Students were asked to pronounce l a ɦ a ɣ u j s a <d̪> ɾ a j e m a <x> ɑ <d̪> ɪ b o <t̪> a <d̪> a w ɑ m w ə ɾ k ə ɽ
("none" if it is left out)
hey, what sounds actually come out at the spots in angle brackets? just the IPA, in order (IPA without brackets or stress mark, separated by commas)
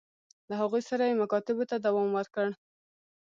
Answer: none, k, t̪, t̪, d̪